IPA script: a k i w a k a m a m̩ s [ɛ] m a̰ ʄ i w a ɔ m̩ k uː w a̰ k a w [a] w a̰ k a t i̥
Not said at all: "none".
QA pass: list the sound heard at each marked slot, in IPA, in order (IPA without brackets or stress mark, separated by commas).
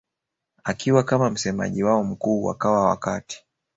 ɛ, a